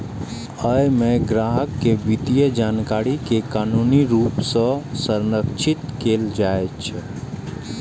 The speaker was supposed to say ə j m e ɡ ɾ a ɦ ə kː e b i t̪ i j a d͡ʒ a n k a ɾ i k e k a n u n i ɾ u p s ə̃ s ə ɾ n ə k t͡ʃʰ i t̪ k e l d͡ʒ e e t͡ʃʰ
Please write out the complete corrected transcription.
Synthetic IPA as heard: ə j m e ɡ ɾ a ɦ ə kː e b i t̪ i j ə d͡ʒ a n k a ɾ i k e k a n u n i ɾ u p s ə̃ s ə ɾ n ə k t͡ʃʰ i t̪ k e l d͡ʒ a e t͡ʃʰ

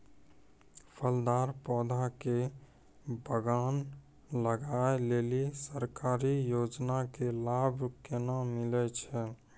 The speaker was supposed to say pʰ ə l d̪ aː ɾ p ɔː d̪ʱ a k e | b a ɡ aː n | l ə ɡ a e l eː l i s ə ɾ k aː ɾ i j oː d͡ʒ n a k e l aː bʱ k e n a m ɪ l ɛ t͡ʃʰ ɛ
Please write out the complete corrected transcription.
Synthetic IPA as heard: pʰ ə l d̪ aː ɾ p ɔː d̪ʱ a k e | b ə ɡ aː n | l ə ɡ a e l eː l i s ə ɾ k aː ɾ i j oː d͡ʒ n a k e l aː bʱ k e n a m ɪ l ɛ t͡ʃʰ ɛ

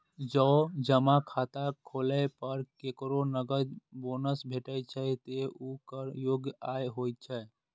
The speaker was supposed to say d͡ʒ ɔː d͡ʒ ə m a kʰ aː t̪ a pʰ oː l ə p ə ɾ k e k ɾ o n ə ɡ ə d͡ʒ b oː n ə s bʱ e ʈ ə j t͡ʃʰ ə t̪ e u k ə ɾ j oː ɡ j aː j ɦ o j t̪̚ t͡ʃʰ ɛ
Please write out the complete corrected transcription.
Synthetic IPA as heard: d͡ʒ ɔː d͡ʒ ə m a kʰ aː t̪ a kʰ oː l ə p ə ɾ k e k ɾ o n ə ɡ ə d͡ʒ b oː n ə s bʱ e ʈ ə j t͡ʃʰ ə t̪ e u k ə ɾ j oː ɡ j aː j ɦ o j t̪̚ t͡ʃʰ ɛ

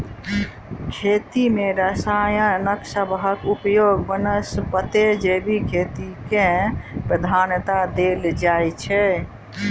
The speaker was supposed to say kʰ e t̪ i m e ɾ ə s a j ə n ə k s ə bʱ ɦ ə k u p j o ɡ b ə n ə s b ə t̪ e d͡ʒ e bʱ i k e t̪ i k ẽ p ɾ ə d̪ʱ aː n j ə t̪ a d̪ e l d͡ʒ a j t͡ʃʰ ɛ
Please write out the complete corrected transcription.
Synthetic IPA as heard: kʰ e t̪ i m e ɾ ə s a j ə n ə k s ə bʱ ɦ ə k u p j o ɡ b ə n ə s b ə t̪ e d͡ʒ e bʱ i kʰ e t̪ i k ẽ p ɾ ə d̪ʱ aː n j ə t̪ a d̪ e l d͡ʒ a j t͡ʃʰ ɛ

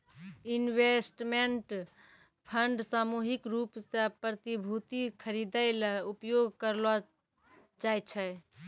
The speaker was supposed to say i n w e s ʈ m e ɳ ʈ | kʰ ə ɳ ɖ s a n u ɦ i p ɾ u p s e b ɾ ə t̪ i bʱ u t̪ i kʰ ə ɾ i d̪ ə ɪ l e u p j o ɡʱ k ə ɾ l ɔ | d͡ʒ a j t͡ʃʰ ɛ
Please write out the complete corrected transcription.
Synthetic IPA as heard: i n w e s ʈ m e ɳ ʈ | pʰ ə ɳ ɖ s a m u ɦ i k ɾ u p s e p ɾ ə t̪ i bʱ u t̪ i kʰ ə ɾ i d̪ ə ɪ l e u p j o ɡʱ k ə ɾ l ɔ | d͡ʒ a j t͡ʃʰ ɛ

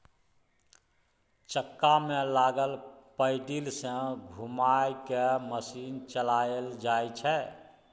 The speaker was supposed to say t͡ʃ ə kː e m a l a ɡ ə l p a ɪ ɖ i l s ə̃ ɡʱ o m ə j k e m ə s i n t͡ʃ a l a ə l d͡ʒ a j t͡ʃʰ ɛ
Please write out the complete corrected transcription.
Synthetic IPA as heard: t͡ʃ ə kː a m e l a ɡ ə l p ə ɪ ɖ i l s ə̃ ɡʱ u m a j k e m ə s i n t͡ʃ ə l a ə l d͡ʒ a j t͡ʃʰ ɛ

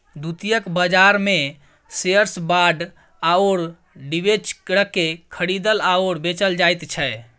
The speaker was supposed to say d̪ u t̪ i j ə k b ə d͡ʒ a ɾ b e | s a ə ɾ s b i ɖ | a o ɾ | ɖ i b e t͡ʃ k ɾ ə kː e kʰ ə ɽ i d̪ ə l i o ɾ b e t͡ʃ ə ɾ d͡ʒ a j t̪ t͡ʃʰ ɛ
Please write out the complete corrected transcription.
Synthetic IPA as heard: d̪ u t̪ i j ə k b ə d͡ʒ a ɾ m e | s e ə ɾ s b a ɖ | a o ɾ | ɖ i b e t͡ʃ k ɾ ə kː e kʰ ə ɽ i d̪ ə l a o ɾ b e t͡ʃ ə l d͡ʒ a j t̪ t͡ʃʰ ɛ

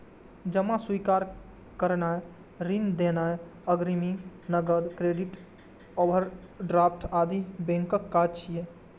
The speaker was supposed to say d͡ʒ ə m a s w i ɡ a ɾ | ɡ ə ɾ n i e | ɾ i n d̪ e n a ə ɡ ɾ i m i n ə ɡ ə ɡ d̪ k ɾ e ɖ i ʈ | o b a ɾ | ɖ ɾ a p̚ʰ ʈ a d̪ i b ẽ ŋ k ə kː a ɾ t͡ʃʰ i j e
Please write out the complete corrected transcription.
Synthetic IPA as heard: d͡ʒ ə m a s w i k a ɾ | k ə ɾ n a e | ɾ i n d̪ e n a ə ɡ ɾ i m i n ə ɡ ə d̪ k ɾ e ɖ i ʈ | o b ə ɾ | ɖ ɾ a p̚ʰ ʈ a d̪ i b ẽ ŋ k ə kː a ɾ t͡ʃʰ i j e

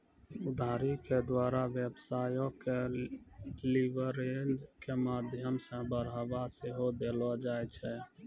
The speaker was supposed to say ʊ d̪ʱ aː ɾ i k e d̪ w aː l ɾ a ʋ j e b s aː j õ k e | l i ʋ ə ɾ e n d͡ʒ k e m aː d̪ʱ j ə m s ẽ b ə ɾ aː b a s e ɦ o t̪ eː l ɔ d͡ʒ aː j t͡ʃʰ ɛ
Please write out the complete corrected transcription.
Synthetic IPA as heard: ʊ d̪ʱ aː ɾ i k e d̪ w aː ɾ a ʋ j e b s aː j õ k e | l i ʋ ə ɾ e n d͡ʒ k e m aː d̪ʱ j ə m s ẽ b ə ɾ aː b a s e ɦ o d̪ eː l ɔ d͡ʒ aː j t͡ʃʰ ɛ

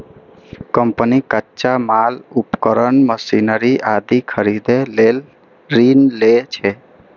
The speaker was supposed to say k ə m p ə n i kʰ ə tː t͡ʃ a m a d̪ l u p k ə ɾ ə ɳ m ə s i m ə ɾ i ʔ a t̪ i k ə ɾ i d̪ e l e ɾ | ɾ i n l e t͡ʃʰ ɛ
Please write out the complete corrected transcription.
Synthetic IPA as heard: k ə m p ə n i k ə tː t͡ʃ a m a l u p k ə ɾ ə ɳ m ə s i n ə ɾ i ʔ a d̪ i kʰ ə ɾ i d̪ e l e l | ɾ i n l e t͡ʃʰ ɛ

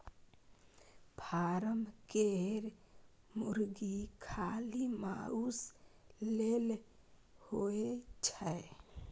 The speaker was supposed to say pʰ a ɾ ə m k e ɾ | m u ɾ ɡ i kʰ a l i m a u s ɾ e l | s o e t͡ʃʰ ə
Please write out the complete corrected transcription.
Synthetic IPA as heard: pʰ a ɾ ə m k e ɾ | m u ɾ ɡ i kʰ a l i m a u s l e l | h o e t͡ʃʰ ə

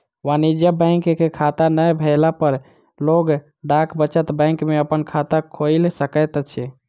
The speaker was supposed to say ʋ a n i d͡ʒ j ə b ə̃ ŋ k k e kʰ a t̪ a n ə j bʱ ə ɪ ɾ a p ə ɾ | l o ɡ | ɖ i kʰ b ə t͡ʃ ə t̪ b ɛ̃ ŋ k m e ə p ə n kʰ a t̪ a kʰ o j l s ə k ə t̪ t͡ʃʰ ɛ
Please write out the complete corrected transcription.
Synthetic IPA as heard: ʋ a n i d͡ʒ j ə b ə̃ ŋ k k e kʰ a t̪ a n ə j bʱ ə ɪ l a p ə ɾ | l o ɡ | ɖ a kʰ b ə t͡ʃ ə t̪ b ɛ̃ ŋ k m e ə p ə n kʰ a t̪ a kʰ o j l s ə k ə t̪ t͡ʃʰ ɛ

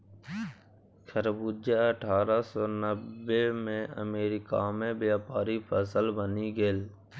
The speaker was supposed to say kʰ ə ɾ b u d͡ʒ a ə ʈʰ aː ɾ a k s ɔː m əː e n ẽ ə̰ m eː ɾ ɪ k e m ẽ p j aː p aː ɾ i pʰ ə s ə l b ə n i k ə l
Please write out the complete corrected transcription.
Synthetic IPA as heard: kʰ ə ɾ b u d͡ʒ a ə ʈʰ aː ɾ a s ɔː n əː e m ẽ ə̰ m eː ɾ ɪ k a m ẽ b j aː p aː ɾ i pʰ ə s ə l b ə n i ɡ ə l

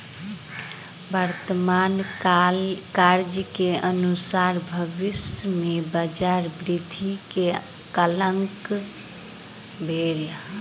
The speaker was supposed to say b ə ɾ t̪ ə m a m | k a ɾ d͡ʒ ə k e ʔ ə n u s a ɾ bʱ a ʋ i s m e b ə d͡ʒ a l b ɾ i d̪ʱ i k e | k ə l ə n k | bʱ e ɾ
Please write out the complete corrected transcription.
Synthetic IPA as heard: b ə ɾ t̪ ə m a n | k a ɾ d͡ʒ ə k e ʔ ə n u s a ɾ bʱ ə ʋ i s m e b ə d͡ʒ a ɾ b ɾ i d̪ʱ i k e | k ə l ə ŋ k | bʱ e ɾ

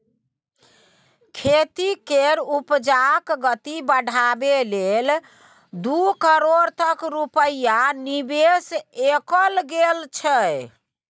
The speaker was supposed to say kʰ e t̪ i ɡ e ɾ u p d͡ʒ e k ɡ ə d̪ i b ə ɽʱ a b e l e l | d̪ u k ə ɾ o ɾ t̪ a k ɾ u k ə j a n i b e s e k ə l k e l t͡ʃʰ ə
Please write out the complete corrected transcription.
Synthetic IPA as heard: kʰ e t̪ i k e ɾ u p d͡ʒ a k ɡ ə t̪ i b ə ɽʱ a b e l e l | d̪ u k ə ɾ o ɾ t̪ ə k ɾ u p ə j a n i b e s e k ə l ɡ e l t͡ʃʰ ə

